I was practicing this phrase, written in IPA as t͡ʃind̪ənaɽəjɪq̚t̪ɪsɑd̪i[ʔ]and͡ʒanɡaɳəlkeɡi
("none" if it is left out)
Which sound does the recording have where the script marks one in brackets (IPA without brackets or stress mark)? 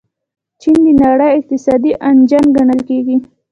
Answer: ʔ